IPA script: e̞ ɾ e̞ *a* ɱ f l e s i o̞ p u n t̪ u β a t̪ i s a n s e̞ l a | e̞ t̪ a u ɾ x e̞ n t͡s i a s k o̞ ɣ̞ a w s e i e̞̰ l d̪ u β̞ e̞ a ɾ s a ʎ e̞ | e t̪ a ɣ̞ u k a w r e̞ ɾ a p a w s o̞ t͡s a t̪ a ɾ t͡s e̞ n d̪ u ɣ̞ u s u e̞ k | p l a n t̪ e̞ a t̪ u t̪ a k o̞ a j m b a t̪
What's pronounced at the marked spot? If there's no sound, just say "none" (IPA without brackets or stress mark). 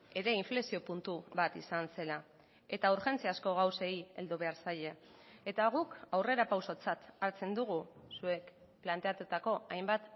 i